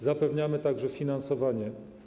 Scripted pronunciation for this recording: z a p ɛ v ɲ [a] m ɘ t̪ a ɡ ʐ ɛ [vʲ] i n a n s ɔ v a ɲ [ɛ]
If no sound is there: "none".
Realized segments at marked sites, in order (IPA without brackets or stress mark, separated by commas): a, fʲ, ɛ